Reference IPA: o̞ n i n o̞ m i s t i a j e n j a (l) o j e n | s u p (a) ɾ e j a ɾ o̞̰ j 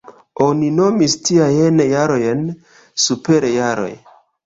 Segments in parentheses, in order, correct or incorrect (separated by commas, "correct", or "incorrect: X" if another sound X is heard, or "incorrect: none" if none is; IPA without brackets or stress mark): incorrect: ɾ, incorrect: e